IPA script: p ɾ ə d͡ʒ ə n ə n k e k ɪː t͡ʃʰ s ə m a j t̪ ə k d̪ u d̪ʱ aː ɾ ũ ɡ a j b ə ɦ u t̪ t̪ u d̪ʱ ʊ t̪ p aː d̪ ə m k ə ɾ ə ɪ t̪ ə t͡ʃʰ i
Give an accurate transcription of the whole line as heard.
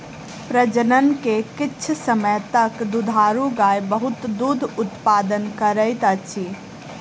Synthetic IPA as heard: p ɾ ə d͡ʒ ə n ə n k e k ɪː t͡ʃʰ s ə m ə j t̪ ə k d̪ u d̪ʱ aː ɾ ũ ɡ a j b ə ɦ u t̪ d̪ u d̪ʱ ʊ t̪ p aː d̪ ə n k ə ɾ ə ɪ t̪ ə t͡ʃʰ i

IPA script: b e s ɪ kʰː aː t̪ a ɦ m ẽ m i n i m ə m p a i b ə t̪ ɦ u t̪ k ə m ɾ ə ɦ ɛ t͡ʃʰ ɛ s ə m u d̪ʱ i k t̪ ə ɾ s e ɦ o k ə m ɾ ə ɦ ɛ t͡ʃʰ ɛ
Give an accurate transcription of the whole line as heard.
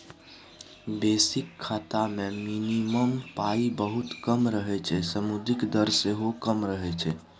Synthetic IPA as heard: b e s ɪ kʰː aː t̪ a m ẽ m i n i m ə m p a i b ə ɦ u t̪ k ə m ɾ ə ɦ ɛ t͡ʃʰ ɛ s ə m u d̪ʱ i k d̪ ə ɾ s e ɦ o k ə m ɾ ə ɦ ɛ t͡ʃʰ ɛ

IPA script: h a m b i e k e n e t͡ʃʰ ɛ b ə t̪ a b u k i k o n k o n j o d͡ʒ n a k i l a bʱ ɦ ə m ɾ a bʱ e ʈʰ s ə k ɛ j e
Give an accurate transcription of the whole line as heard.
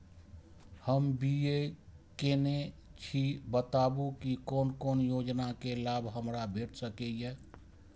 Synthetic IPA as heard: h ə m b i e k e n e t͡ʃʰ i b ə t̪ a b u k i k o n k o n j o d͡ʒ n a k e l a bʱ ɦ ə m ɾ a bʱ e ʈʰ s ə k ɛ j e

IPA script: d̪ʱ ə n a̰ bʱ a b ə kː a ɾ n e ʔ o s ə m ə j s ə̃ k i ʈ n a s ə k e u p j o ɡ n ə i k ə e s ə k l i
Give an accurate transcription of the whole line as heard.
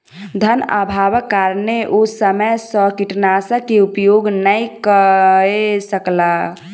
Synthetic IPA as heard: d̪ʱ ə n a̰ bʱ a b ə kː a ɾ n e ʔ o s ə m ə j s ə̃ k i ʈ n a s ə k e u p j o ɡ n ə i k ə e s ə k l a

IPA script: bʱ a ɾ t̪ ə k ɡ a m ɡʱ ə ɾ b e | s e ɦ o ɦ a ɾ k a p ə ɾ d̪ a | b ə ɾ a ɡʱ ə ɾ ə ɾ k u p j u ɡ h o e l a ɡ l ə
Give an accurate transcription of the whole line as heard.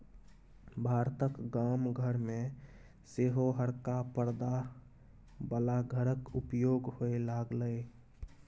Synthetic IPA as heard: bʱ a ɾ t̪ ə k ɡ a m ɡʱ ə ɾ m e | s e ɦ o ɦ ə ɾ k a p ə ɾ d̪ a | b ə l a ɡʱ ə ɾ ə k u p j o ɡ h o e l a ɡ l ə

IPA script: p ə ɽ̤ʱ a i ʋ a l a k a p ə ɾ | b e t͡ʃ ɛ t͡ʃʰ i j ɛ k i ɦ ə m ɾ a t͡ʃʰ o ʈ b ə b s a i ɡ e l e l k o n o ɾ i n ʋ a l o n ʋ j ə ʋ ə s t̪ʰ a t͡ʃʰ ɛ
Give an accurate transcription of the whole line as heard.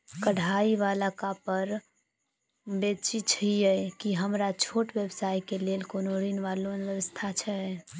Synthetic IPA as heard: k ə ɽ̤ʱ a i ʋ a l a k a p ə ɾ | b e t͡ʃ i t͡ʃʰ i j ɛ k i ɦ ə m ɾ a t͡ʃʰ o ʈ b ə b s a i k e l e l k o n o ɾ i n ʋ a l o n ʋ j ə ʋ ə s t̪ʰ a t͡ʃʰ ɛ

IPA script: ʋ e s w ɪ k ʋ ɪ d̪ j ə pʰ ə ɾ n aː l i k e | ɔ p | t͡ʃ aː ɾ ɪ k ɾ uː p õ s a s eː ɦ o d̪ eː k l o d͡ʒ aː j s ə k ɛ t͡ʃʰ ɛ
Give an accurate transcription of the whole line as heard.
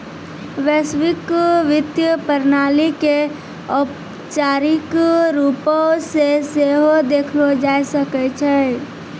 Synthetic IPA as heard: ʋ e s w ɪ k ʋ ɪ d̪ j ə p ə ɾ n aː l i k e | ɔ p | t͡ʃ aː ɾ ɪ k ɾ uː p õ s e s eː ɦ o d̪ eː kʰ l o d͡ʒ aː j s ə k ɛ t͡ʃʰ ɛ

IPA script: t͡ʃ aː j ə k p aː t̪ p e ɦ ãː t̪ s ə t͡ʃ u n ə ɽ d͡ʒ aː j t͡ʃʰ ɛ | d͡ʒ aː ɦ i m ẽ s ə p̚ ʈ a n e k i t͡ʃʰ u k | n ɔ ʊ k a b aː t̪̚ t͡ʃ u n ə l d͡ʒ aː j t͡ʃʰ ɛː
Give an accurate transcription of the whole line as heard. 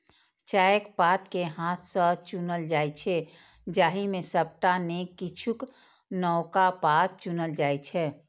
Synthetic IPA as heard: t͡ʃ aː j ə k p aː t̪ k e ɦ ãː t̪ s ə t͡ʃ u n ə l d͡ʒ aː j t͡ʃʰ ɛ | d͡ʒ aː ɦ i m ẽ s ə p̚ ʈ a n e k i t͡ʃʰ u k | n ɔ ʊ k a p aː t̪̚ t͡ʃ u n ə l d͡ʒ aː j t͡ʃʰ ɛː

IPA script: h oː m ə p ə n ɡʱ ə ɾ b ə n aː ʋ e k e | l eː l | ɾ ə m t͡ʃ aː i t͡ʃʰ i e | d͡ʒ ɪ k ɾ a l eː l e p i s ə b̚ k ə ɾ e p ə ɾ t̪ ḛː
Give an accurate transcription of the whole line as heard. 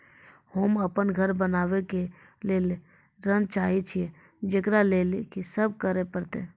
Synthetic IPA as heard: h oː m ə p ə n ɡʱ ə ɾ b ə n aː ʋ e k e | l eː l | ɾ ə n t͡ʃ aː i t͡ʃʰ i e | d͡ʒ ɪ k ɾ a l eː l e k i s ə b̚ k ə ɾ e p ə ɾ t̪ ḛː

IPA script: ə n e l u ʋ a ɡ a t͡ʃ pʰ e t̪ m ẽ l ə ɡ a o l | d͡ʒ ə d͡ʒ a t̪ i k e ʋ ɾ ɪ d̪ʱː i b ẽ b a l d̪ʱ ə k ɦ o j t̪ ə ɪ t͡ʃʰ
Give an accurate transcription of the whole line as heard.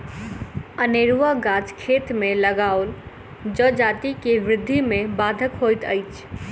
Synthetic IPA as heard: ə n e ɾ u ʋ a ɡ a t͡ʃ kʰ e t̪ m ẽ l ə ɡ a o l | d͡ʒ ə d͡ʒ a t̪ i k e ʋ ɾ ɪ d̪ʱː i m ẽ b a d̪ʱ ə k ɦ o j t̪ ə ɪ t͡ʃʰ

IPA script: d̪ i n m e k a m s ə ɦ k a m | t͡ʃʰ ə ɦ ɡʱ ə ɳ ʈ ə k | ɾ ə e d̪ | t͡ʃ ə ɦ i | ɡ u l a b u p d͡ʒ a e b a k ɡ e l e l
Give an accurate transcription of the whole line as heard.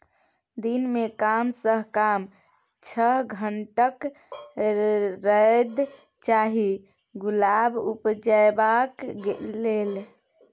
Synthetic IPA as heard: d̪ i n m e k a m s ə ɦ k a m | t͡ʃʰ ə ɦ ɡʱ ə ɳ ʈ ə k | ɾ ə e d̪ | t͡ʃ a ɦ i | ɡ u l a b u p d͡ʒ a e b a k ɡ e l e l

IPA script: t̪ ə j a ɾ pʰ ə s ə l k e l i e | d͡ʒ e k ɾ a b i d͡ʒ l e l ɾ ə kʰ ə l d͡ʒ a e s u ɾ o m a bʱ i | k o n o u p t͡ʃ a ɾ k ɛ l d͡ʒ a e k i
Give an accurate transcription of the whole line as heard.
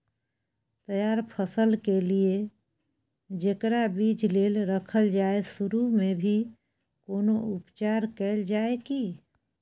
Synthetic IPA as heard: t̪ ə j a ɾ pʰ ə s ə l k e l i e | d͡ʒ e k ɾ a b i d͡ʒ l e l ɾ ə kʰ ə l d͡ʒ a e s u ɾ u m e bʱ i | k o n o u p t͡ʃ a ɾ k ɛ l d͡ʒ a e k i

